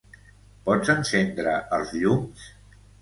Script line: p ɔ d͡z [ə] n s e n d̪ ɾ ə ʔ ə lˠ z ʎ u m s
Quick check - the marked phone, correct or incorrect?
correct